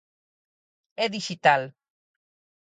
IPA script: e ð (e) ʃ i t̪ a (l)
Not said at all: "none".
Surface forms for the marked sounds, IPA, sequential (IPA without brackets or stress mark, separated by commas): i, l